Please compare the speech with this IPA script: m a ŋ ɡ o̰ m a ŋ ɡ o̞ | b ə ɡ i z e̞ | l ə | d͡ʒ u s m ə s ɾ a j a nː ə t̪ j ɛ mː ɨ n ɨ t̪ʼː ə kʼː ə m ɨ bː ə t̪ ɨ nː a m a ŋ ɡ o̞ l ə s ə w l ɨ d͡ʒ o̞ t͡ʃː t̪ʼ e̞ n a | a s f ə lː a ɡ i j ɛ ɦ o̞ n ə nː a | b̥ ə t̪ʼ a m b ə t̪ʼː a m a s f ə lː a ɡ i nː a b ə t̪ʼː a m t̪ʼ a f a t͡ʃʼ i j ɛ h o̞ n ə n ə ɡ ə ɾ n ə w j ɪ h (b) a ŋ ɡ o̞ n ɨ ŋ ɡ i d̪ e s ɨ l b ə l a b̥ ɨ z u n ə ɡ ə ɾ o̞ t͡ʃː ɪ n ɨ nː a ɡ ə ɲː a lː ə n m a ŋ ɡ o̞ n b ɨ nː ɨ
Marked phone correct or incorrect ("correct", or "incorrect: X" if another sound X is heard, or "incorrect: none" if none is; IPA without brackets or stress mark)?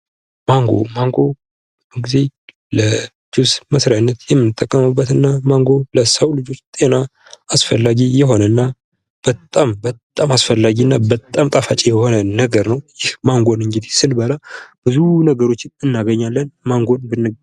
incorrect: m